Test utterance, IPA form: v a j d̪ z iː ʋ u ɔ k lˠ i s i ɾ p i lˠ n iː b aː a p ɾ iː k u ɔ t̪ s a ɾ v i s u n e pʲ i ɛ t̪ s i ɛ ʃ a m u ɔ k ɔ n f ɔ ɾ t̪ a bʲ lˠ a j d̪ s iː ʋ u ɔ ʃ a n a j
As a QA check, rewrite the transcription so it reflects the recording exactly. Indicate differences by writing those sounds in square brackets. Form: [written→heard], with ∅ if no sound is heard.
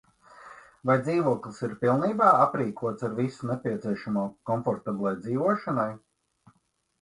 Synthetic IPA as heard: v a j d̪ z iː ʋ u ɔ k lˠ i s i ɾ p i lˠ n iː b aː a p ɾ iː k u ɔ t̪ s a ɾ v i s u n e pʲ i ɛ t̪ s i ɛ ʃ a m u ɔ k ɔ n f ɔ ɾ t̪ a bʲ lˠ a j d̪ [s→z] iː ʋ u ɔ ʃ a n a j

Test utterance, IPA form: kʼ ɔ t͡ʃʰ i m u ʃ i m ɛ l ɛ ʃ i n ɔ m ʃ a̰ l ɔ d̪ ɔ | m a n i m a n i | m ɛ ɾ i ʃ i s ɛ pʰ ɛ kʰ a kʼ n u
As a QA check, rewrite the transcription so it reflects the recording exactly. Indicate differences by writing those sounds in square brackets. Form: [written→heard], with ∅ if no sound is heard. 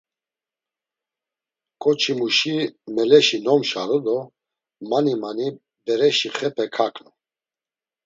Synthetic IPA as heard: kʼ ɔ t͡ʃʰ i m u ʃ i m ɛ l ɛ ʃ i n ɔ m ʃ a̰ [l→ɾ] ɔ d̪ ɔ | m a n i m a n i | [m→b] ɛ ɾ [i→ɛ] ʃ i [s→χ] ɛ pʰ ɛ kʰ a kʼ n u

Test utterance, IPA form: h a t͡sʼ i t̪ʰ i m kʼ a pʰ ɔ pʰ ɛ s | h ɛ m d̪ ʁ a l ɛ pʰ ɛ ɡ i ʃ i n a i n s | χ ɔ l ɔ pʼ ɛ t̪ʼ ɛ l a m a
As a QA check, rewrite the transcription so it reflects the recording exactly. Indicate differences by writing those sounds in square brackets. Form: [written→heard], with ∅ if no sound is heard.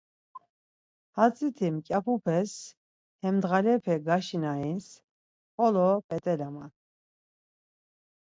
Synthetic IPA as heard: h a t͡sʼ i t̪ʰ i m kʼ a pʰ [ɔ→u] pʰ ɛ s | h ɛ m d̪ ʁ a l ɛ pʰ ɛ ɡ [i→a] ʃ i n a i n s | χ ɔ l ɔ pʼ ɛ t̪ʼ ɛ l a m a

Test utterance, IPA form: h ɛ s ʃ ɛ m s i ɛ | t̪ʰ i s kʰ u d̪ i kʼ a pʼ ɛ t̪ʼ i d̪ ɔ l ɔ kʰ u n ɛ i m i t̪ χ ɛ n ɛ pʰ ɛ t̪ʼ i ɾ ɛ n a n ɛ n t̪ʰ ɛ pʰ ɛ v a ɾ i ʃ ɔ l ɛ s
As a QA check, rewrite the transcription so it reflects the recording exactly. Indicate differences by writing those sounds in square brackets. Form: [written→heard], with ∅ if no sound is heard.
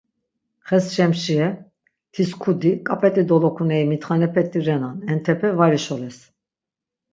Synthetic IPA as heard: [h→χ] ɛ s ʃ ɛ m [s→ʃ] i ɛ | t̪ʰ i s kʰ u d̪ i kʼ a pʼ ɛ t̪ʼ i d̪ ɔ l ɔ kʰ u n ɛ i m i t̪ χ [ɛ→a] n ɛ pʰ ɛ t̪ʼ i ɾ ɛ n a n ɛ n t̪ʰ ɛ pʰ ɛ v a ɾ i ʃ ɔ l ɛ s

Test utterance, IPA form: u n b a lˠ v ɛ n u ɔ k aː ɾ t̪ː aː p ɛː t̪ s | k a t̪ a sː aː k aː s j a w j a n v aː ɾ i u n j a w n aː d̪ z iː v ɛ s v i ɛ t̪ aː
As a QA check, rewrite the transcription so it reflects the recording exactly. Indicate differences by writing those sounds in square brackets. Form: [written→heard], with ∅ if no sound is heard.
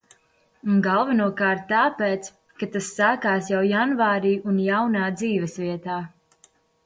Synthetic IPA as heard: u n [b→ɡ] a lˠ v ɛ n u ɔ k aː ɾ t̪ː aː p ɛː t̪ s | k a t̪ a sː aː k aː s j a w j a n v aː ɾ [i→iː] u n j a w n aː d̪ z iː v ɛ s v i ɛ t̪ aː

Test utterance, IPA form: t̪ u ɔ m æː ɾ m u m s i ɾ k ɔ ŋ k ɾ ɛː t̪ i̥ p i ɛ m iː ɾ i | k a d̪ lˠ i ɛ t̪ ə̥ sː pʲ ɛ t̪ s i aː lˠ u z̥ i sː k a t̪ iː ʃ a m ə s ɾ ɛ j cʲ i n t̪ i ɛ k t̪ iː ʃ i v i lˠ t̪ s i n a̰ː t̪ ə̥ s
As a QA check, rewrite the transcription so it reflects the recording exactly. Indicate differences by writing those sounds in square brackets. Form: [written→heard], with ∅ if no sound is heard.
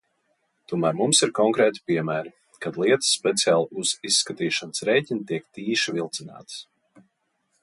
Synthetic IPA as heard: t̪ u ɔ m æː ɾ m u m s i ɾ k ɔ ŋ k ɾ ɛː t̪ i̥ p i ɛ m [iː→æː] ɾ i | k a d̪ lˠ i ɛ t̪ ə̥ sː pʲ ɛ t̪ s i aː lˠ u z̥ i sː k a t̪ iː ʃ a [m→n] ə s ɾ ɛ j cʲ i n t̪ i ɛ k t̪ iː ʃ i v i lˠ t̪ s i n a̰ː t̪ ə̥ s

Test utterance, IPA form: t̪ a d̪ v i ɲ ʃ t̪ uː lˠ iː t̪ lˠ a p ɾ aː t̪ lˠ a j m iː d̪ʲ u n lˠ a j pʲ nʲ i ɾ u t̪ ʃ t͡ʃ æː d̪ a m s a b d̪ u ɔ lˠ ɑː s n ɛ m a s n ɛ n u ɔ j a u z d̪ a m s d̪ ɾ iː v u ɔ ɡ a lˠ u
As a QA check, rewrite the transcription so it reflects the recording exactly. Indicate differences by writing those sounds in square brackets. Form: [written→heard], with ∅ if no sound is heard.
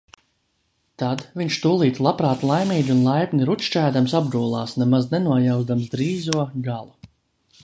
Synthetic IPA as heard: t̪ a d̪ v i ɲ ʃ t̪ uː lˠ iː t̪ lˠ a p ɾ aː t̪ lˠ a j m iː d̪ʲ u n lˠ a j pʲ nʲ i ɾ u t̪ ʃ t͡ʃ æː d̪ a m s a b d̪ u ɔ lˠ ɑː s n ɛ m a [s→z] n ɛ n u ɔ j a [u→w] z d̪ a m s d̪ ɾ iː [v→z] u ɔ ɡ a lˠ u

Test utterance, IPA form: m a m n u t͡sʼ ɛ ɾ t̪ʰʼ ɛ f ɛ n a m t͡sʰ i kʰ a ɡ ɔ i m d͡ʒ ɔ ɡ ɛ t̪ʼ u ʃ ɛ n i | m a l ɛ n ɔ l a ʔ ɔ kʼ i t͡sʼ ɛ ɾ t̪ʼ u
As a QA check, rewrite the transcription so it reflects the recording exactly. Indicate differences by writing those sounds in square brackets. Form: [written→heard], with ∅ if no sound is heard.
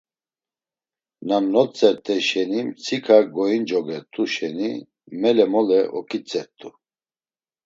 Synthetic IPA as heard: [m→n] a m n [u→ɔ] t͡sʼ ɛ ɾ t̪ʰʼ ɛ [f→ʃ] ɛ n [a→i] m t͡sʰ i kʰ a ɡ ɔ i [m→n] d͡ʒ ɔ ɡ ɛ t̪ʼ u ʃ ɛ n i | m [a→ɛ] l ɛ [n→m] ɔ l [a→ɛ] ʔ ɔ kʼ i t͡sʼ ɛ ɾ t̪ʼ u

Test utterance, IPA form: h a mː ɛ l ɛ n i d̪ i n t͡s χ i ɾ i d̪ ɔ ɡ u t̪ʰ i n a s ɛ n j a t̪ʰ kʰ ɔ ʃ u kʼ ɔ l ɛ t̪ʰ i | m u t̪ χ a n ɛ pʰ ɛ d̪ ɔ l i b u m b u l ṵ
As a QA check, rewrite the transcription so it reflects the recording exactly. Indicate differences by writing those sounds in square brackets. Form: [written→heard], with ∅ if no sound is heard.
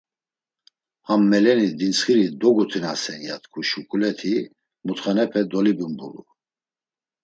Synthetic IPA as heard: h a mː ɛ l ɛ n i d̪ i n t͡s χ i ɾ i d̪ ɔ ɡ u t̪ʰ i n a s ɛ n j a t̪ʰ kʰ [ɔ→u] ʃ u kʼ [ɔ→u] l ɛ t̪ʰ i | m u t̪ χ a n ɛ pʰ ɛ d̪ ɔ l i b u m b u l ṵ

